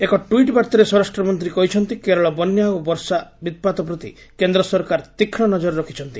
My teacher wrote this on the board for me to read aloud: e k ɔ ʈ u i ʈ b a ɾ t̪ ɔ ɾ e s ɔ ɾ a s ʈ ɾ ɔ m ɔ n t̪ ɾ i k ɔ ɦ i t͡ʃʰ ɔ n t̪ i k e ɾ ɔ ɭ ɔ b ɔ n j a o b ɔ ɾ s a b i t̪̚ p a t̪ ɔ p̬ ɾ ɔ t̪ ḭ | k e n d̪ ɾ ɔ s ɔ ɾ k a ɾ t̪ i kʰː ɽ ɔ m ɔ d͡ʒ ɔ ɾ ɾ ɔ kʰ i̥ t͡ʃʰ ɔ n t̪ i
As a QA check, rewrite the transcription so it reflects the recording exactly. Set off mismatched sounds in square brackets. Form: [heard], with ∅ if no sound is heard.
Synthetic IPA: e k ɔ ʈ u i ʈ b a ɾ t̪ ɔ ɾ e s ɔ ɾ a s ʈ ɾ ɔ m ɔ n t̪ ɾ i k ɔ ɦ i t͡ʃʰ ɔ n t̪ i k e ɾ ɔ ɭ ɔ b ɔ n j a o b ɔ ɾ s a b i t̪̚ p a t̪ ɔ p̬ ɾ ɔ t̪ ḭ | k e n d̪ ɾ ɔ s ɔ ɾ k a ɾ t̪ i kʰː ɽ ɔ [n] ɔ d͡ʒ ɔ ɾ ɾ ɔ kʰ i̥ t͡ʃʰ ɔ n t̪ i

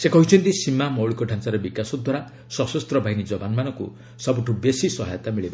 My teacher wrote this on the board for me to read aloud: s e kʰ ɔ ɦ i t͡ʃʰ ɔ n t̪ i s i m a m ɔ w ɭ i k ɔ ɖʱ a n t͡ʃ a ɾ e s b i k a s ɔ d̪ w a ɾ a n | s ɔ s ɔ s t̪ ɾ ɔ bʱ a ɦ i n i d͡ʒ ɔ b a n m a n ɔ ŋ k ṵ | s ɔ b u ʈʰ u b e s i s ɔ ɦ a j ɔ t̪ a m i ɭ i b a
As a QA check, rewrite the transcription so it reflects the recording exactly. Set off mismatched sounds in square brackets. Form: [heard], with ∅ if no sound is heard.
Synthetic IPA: s e [k] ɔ ɦ i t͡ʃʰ ɔ n t̪ i s i m a m ɔ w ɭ i k ɔ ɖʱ a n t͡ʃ a ɾ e [∅] b i k a s ɔ d̪ w a ɾ a [∅] | s ɔ s ɔ s t̪ ɾ ɔ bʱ a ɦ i n i d͡ʒ ɔ b a n m a n ɔ ŋ k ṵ | s ɔ b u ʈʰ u b e s i s ɔ ɦ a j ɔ t̪ a m i ɭ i b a

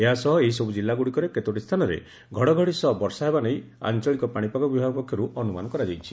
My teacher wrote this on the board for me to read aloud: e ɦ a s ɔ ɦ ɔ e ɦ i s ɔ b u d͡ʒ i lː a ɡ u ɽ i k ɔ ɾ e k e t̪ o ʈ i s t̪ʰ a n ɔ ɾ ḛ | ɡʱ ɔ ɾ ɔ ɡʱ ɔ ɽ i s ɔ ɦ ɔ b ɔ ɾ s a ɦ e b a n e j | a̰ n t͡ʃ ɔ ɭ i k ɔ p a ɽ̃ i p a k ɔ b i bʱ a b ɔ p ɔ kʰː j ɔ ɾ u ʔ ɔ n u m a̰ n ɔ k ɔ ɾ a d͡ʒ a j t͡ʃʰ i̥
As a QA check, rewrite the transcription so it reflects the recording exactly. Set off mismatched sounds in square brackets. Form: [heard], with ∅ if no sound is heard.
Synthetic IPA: e ɦ a s ɔ ɦ ɔ e ɦ i s ɔ b u d͡ʒ i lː a ɡ u ɽ i k ɔ ɾ e k e t̪ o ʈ i s t̪ʰ a n ɔ ɾ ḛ | ɡʱ ɔ [ɽ] ɔ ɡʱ ɔ ɽ i s ɔ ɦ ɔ b ɔ ɾ s a ɦ e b a n e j | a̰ n t͡ʃ ɔ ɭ i k ɔ p a ɽ̃ i p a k ɔ b i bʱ a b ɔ p ɔ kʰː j ɔ ɾ u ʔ ɔ n u m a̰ n ɔ k ɔ ɾ a d͡ʒ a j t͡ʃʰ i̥

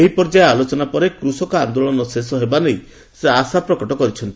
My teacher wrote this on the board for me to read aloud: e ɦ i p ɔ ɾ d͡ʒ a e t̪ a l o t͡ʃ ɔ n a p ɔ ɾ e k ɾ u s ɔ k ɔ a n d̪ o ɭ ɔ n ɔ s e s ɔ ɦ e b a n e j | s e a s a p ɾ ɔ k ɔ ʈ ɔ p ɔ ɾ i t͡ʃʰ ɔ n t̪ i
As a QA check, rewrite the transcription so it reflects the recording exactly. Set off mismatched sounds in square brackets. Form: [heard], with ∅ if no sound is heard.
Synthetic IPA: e ɦ i p ɔ ɾ d͡ʒ a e [∅] a l o t͡ʃ ɔ n a p ɔ ɾ e k ɾ u s ɔ k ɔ a n d̪ o ɭ ɔ n ɔ s e s ɔ ɦ e b a n e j | s e a s a p ɾ ɔ k ɔ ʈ ɔ [k] ɔ ɾ i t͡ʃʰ ɔ n t̪ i

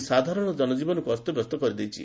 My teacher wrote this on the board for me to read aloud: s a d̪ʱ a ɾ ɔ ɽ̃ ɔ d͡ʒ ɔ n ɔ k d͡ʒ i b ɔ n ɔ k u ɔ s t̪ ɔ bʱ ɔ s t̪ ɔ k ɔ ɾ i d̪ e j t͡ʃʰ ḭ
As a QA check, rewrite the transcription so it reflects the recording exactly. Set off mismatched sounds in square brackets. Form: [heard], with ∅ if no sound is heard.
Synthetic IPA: s a d̪ʱ a ɾ ɔ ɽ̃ ɔ d͡ʒ ɔ n ɔ [∅] d͡ʒ i b ɔ n ɔ k u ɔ s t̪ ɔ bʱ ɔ s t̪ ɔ k ɔ ɾ i d̪ e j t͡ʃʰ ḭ

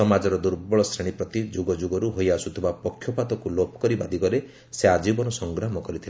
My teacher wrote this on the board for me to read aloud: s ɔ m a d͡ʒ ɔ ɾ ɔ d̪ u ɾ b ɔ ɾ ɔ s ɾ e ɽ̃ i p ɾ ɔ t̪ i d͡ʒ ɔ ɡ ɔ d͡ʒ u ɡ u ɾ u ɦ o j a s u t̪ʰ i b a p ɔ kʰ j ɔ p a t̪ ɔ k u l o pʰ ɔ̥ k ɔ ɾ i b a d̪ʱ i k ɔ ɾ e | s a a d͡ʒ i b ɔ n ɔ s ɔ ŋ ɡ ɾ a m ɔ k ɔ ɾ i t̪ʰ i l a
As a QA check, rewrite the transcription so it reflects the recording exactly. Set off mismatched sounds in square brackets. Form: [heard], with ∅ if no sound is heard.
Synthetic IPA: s ɔ m a d͡ʒ ɔ ɾ ɔ d̪ u ɾ b ɔ [ɭ] ɔ s ɾ e ɽ̃ i p ɾ ɔ t̪ i d͡ʒ [u] ɡ ɔ d͡ʒ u ɡ [ɔ] ɾ u ɦ o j a s u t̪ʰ i b a p ɔ kʰ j ɔ p a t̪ ɔ k u l o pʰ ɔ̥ k ɔ ɾ i b a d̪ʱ i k ɔ ɾ e | s [e] a d͡ʒ i b ɔ n ɔ s ɔ ŋ ɡ ɾ a m ɔ k ɔ ɾ i t̪ʰ i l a

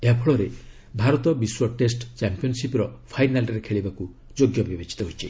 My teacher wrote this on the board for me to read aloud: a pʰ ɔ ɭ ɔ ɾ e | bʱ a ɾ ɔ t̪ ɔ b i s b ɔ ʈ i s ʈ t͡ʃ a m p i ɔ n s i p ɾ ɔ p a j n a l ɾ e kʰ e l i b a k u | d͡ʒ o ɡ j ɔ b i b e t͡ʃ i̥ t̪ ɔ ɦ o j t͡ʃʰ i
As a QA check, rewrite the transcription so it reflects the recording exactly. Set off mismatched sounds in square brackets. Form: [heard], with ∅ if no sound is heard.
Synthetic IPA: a pʰ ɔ ɭ ɔ ɾ e | bʱ a ɾ ɔ t̪ ɔ b i s [w] ɔ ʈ [e] s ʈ t͡ʃ a m p i ɔ n s i p ɾ ɔ [pʰ] a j n a l ɾ e kʰ e [ɭ] i b a k u | d͡ʒ o ɡ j ɔ b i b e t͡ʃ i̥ t̪ ɔ ɦ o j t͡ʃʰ i

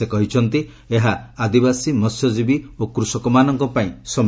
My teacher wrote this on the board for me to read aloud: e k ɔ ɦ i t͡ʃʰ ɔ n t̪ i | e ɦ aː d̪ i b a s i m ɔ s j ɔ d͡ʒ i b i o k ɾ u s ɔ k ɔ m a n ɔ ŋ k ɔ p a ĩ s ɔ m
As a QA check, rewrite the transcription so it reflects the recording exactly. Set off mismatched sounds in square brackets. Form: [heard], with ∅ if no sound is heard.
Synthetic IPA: e k ɔ ɦ i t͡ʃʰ ɔ n t̪ i | e ɦ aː d̪ i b a s i m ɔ s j ɔ d͡ʒ i b i o k ɾ u s ɔ k ɔ m a n ɔ ŋ k ɔ p a ĩ s ɔ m

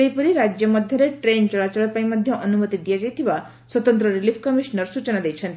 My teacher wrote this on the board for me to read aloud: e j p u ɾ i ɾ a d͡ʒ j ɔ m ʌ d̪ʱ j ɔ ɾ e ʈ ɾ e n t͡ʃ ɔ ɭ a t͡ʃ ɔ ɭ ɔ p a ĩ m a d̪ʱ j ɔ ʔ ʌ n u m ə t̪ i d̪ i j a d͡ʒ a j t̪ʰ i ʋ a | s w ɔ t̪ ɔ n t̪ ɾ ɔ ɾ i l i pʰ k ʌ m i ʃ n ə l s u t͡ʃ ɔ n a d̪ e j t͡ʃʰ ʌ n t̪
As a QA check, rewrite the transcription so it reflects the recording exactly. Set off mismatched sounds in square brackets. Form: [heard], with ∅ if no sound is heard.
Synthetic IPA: e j p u ɾ i ɾ a d͡ʒ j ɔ m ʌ d̪ʱ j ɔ ɾ e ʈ ɾ e n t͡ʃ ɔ ɭ a t͡ʃ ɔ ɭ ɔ p a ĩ m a d̪ʱ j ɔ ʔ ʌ n u m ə t̪ i d̪ i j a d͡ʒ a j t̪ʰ i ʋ a | s w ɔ t̪ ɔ n t̪ ɾ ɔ ɾ i l i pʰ k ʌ m i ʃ n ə [ɾ] s u t͡ʃ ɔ n a d̪ e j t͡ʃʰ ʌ n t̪

